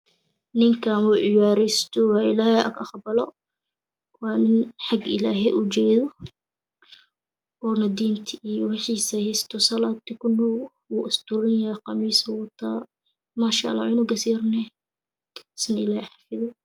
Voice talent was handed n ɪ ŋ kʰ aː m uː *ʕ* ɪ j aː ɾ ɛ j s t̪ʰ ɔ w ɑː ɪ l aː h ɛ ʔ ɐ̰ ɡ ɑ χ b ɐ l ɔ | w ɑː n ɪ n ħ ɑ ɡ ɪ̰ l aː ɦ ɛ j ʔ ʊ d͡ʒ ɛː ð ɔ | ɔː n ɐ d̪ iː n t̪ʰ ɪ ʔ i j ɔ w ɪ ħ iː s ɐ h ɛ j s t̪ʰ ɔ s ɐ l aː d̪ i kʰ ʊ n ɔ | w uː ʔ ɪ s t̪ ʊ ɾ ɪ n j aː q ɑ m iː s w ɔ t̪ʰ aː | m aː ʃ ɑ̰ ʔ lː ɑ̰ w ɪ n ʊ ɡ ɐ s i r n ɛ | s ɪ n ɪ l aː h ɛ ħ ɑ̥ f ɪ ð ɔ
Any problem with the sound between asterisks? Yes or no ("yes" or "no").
no